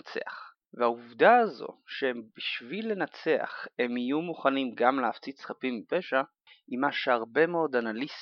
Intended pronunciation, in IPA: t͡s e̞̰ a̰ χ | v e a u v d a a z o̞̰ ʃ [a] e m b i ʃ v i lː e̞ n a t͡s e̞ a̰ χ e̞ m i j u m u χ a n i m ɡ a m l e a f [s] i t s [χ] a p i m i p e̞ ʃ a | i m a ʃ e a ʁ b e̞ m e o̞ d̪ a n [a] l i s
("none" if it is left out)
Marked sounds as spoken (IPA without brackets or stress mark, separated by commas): e, t͡s, χ, a